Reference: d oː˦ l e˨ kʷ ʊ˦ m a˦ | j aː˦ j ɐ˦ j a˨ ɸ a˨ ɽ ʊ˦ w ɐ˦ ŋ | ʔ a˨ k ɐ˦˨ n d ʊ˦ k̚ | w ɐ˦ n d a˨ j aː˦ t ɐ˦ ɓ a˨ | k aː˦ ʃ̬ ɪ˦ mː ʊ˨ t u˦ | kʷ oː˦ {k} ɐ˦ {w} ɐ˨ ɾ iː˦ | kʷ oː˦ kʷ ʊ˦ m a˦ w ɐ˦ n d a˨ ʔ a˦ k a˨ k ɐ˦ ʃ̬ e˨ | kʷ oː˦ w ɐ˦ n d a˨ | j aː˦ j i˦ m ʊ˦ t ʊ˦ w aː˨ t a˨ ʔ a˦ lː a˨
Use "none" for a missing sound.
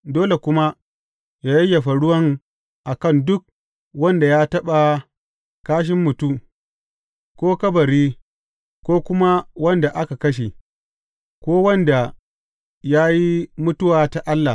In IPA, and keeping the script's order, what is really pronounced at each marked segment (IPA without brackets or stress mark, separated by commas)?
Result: k, b